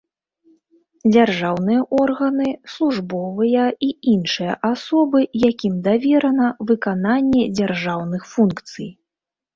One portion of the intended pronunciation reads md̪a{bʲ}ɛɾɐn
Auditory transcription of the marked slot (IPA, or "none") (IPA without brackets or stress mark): vʲ